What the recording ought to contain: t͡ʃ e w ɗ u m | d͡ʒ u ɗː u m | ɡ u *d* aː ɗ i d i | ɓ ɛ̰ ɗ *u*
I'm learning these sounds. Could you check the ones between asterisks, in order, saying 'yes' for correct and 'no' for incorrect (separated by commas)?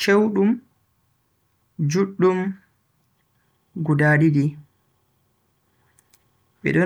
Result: yes, no